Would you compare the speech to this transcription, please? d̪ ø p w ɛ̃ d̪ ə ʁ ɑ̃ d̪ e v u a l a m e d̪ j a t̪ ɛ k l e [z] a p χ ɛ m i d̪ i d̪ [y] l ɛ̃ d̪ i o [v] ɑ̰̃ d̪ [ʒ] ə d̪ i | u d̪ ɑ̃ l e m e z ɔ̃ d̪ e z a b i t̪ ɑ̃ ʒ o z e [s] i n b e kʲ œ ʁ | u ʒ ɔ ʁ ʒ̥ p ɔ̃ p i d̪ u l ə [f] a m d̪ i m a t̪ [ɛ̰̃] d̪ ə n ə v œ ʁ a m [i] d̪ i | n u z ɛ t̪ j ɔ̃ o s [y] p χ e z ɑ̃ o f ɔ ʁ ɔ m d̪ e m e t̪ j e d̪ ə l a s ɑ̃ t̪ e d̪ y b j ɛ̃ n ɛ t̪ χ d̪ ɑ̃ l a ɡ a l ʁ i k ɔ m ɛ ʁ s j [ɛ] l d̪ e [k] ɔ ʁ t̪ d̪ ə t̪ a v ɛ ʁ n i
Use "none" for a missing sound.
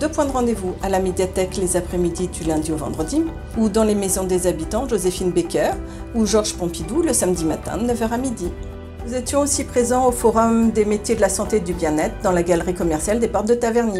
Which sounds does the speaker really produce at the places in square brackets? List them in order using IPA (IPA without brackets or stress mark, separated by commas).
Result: z, y, v, ʁ, f, s, ɛ̰̃, i, i, a, p